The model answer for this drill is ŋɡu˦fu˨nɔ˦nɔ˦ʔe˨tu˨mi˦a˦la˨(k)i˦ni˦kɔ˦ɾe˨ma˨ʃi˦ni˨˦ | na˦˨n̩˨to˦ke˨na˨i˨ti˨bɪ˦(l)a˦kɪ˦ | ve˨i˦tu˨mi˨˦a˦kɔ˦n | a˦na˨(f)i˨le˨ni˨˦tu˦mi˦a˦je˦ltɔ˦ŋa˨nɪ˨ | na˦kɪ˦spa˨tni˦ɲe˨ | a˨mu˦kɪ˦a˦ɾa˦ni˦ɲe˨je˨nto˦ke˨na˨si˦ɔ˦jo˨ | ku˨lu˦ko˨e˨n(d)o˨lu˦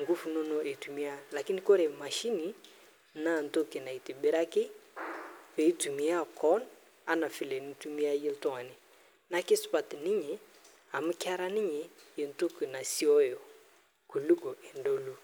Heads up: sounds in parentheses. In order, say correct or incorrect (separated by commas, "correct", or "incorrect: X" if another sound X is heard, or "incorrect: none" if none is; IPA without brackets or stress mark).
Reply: correct, incorrect: ɾ, correct, correct